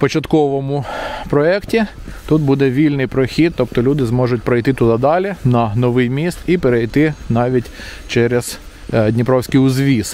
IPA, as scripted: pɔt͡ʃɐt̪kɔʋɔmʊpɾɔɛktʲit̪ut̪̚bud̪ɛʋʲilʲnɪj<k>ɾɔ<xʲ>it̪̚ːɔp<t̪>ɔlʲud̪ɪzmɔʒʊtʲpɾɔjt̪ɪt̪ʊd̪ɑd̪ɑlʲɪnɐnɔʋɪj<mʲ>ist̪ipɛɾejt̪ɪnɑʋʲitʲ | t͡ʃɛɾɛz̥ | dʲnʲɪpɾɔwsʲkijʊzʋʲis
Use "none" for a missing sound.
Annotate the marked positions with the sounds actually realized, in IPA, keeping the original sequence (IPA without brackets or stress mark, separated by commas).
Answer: p, xʲ, t̪, mʲ